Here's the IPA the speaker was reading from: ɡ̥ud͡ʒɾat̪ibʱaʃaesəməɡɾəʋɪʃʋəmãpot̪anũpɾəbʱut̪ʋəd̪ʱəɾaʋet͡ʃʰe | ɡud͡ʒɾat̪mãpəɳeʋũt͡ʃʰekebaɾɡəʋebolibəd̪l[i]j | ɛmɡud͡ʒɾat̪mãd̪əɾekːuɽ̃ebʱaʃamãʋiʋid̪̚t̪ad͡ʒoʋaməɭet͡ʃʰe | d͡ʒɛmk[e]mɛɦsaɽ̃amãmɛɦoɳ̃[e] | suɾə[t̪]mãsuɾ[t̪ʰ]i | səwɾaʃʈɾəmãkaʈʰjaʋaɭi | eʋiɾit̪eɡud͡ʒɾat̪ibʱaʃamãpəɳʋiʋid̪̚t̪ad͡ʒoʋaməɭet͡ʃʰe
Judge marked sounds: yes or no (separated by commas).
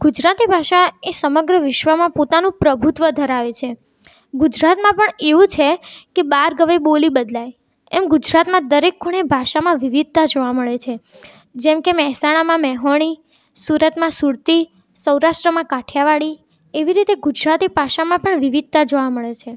no, yes, no, yes, no